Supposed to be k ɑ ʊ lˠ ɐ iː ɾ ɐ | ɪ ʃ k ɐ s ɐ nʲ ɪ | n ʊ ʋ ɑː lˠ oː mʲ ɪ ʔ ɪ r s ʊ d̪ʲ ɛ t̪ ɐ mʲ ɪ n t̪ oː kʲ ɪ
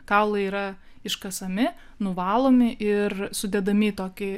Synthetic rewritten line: k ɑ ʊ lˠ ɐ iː ɾ ɐ | ɪ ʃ k ɐ s ɐ mʲ ɪ | n ʊ ʋ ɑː lˠ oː mʲ ɪ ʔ ɪ r s ʊ d̪ʲ ɛ d̪ ɐ mʲ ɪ t̪ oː kʲ ɪ